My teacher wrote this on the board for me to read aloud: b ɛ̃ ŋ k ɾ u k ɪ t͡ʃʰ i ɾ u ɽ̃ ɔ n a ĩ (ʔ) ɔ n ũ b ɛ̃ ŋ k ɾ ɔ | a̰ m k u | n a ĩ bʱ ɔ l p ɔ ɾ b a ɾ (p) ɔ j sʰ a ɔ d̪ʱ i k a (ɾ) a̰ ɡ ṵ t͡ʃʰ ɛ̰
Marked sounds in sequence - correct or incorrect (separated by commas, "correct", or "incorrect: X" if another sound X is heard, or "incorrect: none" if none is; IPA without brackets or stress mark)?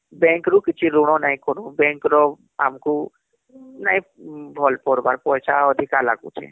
incorrect: k, correct, incorrect: l